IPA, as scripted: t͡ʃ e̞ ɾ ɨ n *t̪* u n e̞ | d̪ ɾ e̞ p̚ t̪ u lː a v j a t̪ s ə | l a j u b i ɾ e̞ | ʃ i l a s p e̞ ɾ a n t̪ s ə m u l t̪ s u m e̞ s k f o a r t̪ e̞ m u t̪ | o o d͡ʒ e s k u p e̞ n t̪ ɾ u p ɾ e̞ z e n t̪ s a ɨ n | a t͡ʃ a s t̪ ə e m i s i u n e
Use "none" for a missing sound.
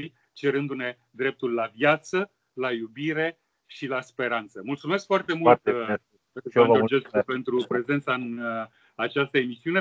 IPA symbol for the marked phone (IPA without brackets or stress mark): d̪